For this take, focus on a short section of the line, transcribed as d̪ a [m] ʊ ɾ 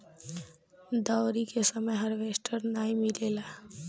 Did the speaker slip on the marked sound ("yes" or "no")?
yes